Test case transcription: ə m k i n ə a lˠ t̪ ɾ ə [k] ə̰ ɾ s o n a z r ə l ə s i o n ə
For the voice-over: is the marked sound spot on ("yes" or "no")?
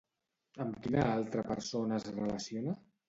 no